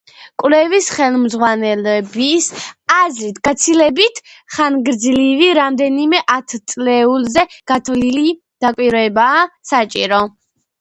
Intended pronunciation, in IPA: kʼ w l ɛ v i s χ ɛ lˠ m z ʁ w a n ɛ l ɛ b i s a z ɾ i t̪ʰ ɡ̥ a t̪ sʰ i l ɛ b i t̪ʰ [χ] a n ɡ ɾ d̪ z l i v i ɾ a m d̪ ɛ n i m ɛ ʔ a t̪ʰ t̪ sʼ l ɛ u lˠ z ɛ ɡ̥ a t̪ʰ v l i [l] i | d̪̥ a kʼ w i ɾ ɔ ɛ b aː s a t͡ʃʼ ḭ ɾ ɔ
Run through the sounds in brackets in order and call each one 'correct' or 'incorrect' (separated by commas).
correct, correct